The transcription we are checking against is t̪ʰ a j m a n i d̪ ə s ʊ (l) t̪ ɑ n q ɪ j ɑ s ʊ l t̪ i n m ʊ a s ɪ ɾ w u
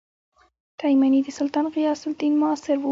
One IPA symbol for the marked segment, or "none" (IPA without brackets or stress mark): l